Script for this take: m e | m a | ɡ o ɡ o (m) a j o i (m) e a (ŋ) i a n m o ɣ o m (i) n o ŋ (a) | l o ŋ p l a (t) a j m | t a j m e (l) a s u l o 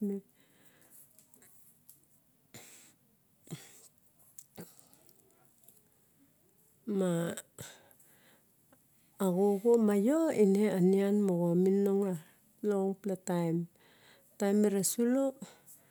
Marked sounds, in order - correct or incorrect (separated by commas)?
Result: correct, incorrect, incorrect, correct, correct, correct, incorrect